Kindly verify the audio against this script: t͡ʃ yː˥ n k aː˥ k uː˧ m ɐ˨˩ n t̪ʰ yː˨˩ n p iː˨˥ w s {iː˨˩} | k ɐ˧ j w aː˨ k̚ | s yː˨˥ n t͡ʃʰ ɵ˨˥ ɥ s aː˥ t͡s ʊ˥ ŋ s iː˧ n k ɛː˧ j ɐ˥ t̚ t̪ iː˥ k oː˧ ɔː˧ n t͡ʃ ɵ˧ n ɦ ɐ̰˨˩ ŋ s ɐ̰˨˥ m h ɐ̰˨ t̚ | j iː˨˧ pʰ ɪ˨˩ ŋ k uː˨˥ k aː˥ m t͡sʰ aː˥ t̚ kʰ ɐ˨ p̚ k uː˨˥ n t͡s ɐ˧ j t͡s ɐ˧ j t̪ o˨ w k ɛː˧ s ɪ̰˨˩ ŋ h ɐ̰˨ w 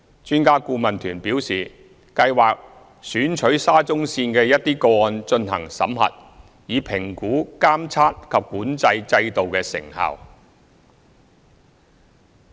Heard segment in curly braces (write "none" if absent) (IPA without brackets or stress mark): iː˨˩